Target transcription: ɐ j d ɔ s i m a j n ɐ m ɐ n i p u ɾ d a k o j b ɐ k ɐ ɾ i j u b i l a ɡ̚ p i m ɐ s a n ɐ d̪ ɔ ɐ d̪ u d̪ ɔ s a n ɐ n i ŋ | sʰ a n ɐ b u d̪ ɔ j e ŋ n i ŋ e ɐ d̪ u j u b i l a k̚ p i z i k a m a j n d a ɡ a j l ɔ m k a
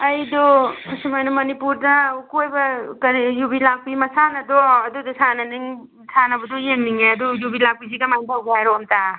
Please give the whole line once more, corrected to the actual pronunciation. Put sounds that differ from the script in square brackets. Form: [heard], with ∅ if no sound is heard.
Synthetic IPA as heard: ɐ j d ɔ s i m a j n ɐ m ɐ n i p u ɾ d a k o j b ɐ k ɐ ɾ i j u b i l a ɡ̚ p i m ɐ s a n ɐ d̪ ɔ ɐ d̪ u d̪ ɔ s a n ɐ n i ŋ | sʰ a n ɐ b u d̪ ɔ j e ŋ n i ŋ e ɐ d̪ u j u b i l a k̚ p i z i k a m a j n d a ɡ a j [ɾ] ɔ m [t] a